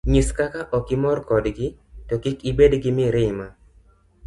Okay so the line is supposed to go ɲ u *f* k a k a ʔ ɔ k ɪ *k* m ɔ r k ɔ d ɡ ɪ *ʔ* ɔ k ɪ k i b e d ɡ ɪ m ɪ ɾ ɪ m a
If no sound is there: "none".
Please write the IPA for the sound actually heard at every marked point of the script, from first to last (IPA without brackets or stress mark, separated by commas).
s, none, t